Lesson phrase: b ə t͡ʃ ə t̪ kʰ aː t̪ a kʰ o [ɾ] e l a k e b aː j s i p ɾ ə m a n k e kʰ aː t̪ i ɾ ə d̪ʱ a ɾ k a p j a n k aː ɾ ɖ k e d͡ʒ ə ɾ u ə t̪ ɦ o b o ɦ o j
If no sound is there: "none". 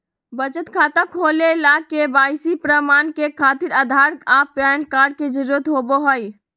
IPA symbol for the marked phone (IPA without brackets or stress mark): l